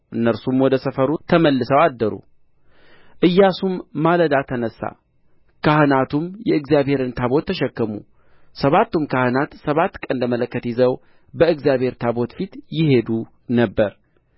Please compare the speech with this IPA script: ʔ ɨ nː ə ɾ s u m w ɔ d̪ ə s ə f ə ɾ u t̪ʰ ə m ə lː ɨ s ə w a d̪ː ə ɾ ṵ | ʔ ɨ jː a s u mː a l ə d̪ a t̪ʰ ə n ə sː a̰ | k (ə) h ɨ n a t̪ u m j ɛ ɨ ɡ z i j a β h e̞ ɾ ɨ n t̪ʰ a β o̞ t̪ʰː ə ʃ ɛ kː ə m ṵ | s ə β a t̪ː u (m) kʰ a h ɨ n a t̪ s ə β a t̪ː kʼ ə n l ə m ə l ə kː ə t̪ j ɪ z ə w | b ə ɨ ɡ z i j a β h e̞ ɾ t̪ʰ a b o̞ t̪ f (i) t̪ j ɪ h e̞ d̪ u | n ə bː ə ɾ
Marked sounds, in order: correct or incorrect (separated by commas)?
incorrect, correct, correct